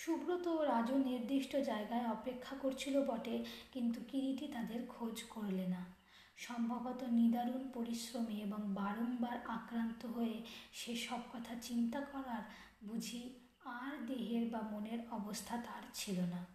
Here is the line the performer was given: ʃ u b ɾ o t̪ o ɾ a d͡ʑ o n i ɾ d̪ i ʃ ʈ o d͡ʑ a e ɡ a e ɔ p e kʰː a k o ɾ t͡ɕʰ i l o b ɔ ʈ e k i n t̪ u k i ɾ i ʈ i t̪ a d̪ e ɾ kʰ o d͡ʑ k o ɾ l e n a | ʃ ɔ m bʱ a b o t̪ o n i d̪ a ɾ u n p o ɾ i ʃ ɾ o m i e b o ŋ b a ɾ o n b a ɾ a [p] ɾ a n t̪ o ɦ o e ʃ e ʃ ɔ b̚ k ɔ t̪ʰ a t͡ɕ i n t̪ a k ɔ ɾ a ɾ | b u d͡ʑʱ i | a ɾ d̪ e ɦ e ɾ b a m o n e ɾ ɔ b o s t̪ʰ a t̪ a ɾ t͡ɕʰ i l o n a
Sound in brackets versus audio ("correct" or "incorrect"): incorrect